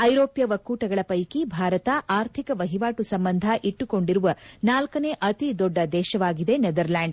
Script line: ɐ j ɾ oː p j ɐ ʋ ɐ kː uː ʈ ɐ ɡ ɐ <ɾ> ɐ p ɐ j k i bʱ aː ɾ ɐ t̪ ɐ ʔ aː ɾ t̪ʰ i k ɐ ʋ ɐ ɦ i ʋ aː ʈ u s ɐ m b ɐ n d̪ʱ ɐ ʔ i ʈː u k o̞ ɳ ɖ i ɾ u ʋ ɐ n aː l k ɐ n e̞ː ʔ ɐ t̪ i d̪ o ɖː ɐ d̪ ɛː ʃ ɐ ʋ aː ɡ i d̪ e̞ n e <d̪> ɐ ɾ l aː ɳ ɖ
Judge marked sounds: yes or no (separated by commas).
no, yes